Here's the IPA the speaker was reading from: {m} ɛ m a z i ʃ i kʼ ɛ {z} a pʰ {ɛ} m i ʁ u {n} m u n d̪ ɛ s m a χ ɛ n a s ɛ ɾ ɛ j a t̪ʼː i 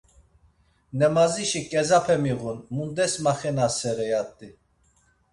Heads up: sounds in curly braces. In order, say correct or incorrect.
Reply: incorrect: n, correct, correct, correct

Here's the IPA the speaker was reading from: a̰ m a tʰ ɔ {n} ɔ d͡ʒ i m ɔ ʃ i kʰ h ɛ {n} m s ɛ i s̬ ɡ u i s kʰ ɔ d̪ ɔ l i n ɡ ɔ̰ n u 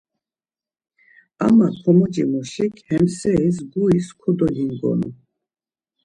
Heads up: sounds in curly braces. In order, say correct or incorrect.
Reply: incorrect: m, incorrect: none

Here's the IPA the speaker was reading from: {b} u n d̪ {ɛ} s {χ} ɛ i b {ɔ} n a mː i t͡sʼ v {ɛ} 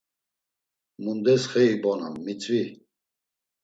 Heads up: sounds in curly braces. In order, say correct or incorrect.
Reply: incorrect: m, correct, correct, correct, incorrect: i

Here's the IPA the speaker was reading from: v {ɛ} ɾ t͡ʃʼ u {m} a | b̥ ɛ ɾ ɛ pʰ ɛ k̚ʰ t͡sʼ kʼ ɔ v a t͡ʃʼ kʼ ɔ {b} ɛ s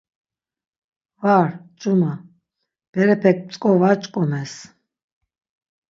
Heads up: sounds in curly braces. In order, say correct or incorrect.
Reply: incorrect: a, correct, incorrect: m

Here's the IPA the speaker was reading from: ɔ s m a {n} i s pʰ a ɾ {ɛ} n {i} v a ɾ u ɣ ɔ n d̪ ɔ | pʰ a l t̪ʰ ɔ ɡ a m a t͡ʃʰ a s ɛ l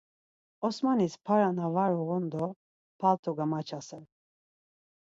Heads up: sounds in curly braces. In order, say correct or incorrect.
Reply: correct, incorrect: a, incorrect: a

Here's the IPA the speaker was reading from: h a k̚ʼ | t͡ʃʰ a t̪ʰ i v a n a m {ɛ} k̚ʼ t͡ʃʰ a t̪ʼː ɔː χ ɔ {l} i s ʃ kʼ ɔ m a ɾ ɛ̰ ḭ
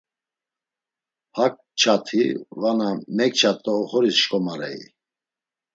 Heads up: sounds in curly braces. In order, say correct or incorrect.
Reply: correct, incorrect: ɾ

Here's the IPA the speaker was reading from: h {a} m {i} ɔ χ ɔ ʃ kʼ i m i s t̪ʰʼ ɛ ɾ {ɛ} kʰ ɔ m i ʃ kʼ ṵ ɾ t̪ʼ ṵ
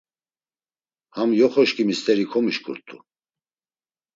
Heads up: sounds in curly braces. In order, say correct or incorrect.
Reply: correct, incorrect: j, incorrect: i

